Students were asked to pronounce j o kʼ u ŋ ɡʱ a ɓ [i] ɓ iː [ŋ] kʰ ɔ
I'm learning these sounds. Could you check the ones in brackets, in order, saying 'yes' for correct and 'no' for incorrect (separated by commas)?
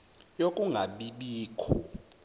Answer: yes, no